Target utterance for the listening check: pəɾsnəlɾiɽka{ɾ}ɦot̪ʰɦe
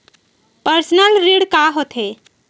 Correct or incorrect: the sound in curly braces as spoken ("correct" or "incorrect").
incorrect